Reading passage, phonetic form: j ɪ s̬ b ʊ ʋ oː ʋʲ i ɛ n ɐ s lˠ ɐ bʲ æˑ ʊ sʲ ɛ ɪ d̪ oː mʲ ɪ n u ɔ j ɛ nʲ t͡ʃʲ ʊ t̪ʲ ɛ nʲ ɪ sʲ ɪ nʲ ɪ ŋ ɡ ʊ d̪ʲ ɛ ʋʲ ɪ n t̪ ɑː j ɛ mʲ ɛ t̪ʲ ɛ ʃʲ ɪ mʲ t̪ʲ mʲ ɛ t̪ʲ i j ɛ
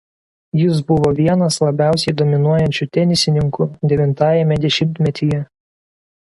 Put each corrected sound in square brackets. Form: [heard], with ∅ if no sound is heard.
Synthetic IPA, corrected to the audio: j ɪ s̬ b ʊ ʋ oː ʋʲ i ɛ n ɐ s lˠ ɐ bʲ æˑ ʊ sʲ ɛ ɪ d̪ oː mʲ ɪ n u ɔ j ɛ nʲ t͡ʃʲ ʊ t̪ʲ ɛ nʲ ɪ sʲ ɪ nʲ ɪ ŋ [k] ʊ d̪ʲ ɛ ʋʲ ɪ n t̪ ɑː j ɛ mʲ ɛ [d̪ʲ] ɛ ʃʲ ɪ mʲ t̪ʲ mʲ ɛ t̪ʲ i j ɛ